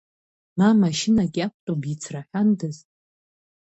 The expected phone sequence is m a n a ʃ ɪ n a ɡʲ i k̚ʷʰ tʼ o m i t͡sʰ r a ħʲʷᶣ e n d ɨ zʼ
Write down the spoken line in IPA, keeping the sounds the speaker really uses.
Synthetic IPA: m a m a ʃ ɪ n a ɡʲ a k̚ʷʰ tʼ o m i t͡sʰ r a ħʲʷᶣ a n d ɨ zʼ